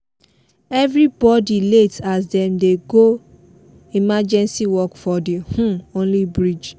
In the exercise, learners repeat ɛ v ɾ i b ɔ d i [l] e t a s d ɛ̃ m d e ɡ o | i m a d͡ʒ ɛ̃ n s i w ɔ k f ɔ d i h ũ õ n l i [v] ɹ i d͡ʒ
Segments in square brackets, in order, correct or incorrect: correct, incorrect

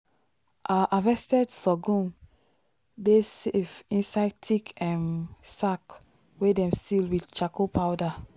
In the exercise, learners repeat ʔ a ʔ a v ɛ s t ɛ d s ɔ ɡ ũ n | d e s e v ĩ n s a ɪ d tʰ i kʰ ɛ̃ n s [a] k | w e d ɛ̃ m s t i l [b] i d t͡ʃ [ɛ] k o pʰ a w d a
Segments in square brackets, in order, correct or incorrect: correct, incorrect, incorrect

